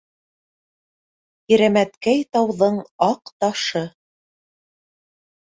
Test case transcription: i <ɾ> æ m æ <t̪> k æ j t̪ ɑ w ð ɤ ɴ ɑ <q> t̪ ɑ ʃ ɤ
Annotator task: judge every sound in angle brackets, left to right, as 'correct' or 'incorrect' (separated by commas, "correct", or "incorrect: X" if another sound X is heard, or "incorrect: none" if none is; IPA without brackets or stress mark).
correct, correct, correct